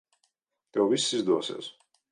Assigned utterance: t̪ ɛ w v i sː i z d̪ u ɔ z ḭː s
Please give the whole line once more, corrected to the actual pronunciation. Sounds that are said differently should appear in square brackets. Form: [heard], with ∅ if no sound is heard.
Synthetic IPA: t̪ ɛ w v i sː i z d̪ u ɔ [s] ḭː s